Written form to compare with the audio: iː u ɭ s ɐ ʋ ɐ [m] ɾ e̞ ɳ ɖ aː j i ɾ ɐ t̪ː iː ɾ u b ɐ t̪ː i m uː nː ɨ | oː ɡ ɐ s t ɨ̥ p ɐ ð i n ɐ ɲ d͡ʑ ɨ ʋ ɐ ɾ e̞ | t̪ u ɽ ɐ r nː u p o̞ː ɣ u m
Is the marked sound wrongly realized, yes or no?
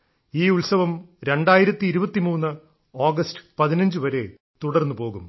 no